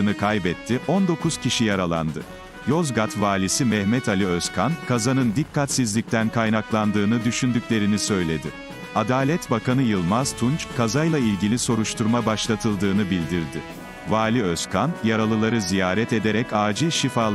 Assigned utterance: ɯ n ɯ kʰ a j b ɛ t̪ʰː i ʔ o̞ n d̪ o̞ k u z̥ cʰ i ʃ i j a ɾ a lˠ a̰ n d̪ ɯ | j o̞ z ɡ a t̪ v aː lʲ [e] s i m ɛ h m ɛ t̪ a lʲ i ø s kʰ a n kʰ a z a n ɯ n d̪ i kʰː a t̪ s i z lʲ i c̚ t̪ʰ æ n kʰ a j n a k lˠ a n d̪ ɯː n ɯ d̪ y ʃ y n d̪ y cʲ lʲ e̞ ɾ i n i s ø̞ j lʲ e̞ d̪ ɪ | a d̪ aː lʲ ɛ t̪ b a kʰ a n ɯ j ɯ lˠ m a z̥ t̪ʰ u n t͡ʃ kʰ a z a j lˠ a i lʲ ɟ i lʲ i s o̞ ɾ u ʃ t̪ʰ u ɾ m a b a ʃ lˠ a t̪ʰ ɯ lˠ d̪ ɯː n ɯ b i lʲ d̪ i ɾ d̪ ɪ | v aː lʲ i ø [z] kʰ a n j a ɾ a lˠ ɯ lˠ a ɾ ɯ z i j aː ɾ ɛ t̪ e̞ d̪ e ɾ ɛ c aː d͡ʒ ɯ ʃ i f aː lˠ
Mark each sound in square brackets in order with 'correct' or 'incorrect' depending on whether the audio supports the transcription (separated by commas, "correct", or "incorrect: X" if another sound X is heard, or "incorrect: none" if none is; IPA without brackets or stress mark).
incorrect: i, incorrect: s